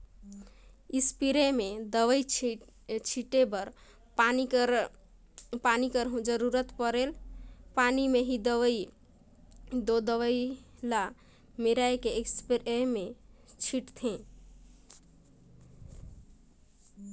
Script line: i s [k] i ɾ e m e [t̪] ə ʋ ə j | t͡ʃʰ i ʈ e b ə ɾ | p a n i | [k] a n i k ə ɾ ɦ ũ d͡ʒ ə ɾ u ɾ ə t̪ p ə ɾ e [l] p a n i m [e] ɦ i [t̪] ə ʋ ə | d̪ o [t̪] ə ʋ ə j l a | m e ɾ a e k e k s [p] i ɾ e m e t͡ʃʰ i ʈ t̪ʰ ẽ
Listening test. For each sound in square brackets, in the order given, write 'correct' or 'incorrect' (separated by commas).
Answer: incorrect, incorrect, incorrect, correct, correct, incorrect, incorrect, correct